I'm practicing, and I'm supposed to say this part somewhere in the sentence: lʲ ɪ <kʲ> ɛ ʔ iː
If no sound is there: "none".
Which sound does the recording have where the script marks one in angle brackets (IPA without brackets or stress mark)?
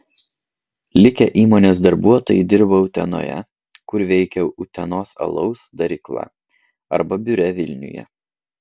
kʲ